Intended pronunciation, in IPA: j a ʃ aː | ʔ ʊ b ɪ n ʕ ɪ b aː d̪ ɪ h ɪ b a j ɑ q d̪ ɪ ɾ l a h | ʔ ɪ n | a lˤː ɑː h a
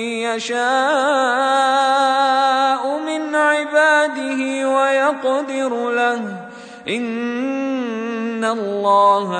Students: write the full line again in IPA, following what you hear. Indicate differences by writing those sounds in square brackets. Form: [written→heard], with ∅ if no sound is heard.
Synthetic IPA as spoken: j a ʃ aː | ʔ ʊ [b→m] ɪ n ʕ ɪ b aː d̪ ɪ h ɪ [b→w] a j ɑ q d̪ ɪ ɾ l a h | ʔ ɪ n | a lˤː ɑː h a